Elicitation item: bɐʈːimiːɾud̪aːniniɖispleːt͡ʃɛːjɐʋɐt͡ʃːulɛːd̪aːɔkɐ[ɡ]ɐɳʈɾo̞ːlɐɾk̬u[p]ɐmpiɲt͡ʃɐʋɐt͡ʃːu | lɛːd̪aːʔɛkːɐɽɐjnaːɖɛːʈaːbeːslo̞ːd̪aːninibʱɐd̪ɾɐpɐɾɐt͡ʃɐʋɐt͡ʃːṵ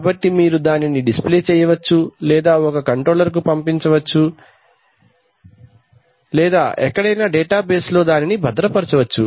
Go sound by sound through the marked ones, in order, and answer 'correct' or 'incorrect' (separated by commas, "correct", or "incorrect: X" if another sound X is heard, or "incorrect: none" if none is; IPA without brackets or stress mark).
incorrect: k, correct